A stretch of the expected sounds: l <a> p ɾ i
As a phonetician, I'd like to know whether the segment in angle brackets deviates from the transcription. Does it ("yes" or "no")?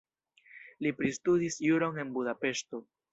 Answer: yes